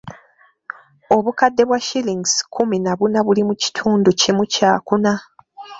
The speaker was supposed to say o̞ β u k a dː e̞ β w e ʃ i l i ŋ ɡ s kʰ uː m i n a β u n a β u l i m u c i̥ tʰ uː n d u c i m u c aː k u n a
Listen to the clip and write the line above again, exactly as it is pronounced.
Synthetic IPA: o̞ β u k a dː e̞ β w a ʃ i l i ŋ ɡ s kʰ u m i n a β u n a β u l i m u c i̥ tʰ uː n d u c i m u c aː k u n a

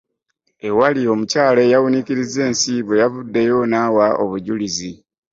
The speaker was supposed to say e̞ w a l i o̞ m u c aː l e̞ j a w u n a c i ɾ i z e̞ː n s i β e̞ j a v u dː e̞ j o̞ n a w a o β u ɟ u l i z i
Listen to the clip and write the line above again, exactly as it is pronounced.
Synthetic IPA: e̞ w a l i o̞ m u c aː l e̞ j a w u n i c i ɾ i z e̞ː n s i β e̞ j a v u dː e̞ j o̞ n a w a o β u ɟ u l i z i

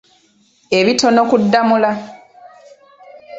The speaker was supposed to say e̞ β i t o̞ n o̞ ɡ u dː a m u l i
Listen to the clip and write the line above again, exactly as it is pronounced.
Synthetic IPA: e̞ β i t o̞ n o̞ k u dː a m u l a

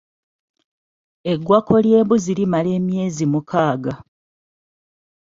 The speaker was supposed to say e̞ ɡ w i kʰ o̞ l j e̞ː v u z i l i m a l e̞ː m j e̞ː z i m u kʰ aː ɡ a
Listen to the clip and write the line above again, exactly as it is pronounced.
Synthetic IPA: e̞ ɡ w a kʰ o̞ l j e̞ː β u z i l i m a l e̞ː m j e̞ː z i m u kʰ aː ɡ a

